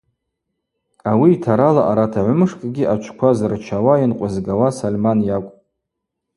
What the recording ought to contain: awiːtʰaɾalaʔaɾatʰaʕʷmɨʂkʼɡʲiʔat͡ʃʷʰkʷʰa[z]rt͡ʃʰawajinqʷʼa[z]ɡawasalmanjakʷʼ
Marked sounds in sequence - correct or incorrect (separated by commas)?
correct, correct